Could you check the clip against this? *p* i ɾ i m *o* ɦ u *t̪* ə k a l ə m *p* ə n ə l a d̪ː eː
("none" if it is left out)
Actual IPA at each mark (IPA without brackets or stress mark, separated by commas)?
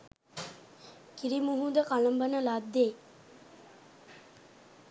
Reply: k, u, d̪, b